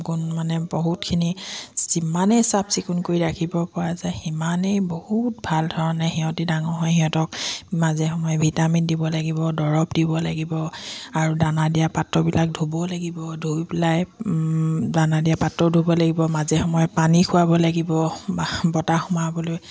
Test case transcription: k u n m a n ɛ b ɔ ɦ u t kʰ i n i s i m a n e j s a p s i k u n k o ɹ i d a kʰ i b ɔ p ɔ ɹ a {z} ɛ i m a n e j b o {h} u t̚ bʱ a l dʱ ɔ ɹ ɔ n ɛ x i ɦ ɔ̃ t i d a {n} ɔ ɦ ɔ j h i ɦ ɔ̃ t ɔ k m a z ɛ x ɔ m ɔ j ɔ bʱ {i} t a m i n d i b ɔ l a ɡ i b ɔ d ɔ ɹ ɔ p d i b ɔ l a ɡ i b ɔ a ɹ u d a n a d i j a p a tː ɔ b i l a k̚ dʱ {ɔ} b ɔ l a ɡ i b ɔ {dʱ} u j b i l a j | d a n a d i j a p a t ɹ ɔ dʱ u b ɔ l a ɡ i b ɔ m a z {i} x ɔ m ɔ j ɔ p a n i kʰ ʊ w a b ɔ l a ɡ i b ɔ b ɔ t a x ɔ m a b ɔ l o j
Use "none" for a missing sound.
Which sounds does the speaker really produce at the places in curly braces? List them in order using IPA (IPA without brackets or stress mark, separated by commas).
z, h, ŋ, i, u, dʱ, ɛ